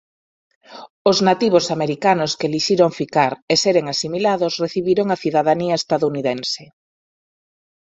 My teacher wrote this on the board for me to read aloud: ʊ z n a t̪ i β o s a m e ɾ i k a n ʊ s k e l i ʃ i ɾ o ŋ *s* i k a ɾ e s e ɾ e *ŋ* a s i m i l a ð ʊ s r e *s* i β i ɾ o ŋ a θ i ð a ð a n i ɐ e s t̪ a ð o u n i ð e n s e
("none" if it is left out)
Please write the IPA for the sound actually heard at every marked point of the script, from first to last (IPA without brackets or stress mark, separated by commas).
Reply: f, ŋ, θ